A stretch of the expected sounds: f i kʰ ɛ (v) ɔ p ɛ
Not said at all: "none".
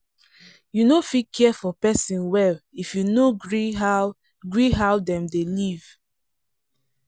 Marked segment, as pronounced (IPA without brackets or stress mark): f